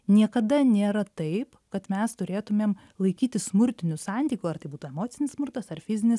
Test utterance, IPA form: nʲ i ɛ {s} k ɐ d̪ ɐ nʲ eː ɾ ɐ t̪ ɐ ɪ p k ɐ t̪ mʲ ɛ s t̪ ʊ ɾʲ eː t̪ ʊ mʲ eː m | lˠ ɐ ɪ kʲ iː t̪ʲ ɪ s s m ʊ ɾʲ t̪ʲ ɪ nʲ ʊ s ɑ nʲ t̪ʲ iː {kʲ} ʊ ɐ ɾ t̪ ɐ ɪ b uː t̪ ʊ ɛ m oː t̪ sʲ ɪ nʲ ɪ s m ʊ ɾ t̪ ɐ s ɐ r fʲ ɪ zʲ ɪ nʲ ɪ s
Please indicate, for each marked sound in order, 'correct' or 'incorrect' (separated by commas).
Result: incorrect, correct